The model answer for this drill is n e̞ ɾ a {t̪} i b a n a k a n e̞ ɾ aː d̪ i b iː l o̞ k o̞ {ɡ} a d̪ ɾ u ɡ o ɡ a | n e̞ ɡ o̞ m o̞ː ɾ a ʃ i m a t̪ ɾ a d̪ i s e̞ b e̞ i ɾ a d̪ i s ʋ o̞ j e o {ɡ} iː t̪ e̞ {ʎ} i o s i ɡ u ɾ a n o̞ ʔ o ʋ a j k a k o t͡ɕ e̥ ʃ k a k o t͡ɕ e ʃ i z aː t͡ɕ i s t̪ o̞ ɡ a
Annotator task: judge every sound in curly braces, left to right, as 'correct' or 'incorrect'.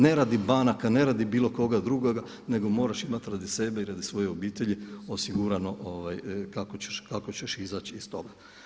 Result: incorrect: d̪, correct, incorrect: b, correct

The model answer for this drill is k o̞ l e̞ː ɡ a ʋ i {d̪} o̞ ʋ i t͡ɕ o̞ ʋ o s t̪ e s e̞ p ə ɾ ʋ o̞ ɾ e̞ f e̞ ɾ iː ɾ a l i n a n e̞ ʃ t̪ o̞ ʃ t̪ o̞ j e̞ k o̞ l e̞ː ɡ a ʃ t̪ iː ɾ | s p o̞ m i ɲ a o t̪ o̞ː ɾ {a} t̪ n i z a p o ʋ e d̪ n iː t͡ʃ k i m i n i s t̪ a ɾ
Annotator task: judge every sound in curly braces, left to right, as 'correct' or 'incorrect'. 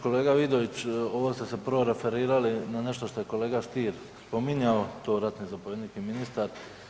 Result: correct, correct

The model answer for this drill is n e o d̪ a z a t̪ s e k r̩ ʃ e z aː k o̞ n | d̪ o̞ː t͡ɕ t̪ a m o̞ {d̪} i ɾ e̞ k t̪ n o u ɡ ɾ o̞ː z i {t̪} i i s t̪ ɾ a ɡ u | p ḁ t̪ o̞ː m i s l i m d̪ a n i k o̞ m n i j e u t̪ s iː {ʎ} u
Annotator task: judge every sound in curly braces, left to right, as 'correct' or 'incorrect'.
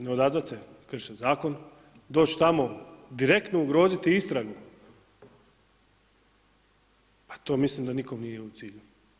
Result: correct, correct, correct

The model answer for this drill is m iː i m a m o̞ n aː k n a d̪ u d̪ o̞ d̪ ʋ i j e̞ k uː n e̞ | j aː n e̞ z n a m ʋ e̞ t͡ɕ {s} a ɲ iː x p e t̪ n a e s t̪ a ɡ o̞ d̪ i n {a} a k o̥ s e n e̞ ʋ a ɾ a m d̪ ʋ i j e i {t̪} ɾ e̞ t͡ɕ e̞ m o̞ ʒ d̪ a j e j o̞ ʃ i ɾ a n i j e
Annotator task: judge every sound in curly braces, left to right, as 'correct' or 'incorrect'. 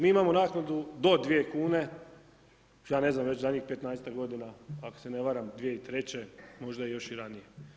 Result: incorrect: z, correct, correct

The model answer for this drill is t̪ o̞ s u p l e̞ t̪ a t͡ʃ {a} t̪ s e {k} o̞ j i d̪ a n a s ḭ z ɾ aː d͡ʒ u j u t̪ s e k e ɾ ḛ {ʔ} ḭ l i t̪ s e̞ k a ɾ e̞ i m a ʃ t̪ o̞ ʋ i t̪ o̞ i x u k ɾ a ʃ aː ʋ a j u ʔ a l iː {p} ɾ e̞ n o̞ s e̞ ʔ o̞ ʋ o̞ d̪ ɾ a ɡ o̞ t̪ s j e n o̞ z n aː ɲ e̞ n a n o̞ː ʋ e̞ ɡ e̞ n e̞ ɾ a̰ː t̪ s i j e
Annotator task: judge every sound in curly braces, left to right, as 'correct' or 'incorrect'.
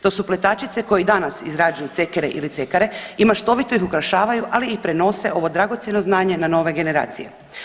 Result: incorrect: i, correct, correct, correct

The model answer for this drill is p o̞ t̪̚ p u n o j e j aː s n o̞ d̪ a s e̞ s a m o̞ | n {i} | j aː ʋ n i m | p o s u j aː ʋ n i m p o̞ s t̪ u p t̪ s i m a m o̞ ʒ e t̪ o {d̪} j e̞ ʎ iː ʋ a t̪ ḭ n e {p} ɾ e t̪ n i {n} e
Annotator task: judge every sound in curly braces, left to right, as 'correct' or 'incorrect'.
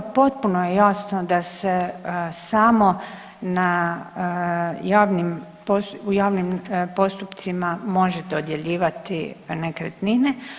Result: incorrect: a, correct, incorrect: k, correct

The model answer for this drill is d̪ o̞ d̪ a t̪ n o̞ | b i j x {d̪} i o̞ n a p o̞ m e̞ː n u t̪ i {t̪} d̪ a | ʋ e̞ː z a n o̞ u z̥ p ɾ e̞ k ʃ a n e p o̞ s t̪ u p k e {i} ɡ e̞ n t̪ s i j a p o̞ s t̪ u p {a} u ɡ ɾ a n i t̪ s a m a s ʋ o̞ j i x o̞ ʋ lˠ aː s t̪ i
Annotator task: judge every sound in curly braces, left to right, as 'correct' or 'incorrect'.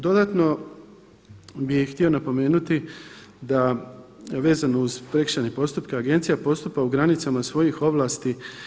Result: incorrect: t̪, incorrect: none, incorrect: a, correct

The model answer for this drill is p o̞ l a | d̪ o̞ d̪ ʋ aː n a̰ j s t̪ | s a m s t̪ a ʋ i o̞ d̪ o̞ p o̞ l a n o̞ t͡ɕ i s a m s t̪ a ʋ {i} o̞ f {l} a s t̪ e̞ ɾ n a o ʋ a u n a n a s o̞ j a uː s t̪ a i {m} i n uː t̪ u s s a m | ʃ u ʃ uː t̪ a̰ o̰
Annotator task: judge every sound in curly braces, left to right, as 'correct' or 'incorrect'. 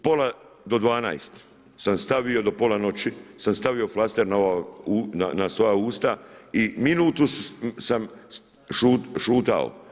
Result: correct, correct, correct

